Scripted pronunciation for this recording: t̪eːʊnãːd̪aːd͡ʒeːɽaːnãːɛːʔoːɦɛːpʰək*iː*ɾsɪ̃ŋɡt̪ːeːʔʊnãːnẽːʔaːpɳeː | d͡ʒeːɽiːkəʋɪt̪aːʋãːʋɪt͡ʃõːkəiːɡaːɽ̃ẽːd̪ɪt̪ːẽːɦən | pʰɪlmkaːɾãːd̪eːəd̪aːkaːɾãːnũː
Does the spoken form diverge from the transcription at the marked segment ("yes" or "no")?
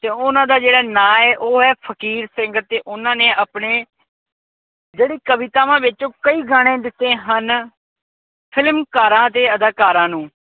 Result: no